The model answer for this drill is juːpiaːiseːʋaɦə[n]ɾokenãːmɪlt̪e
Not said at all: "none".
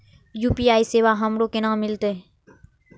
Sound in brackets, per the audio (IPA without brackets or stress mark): m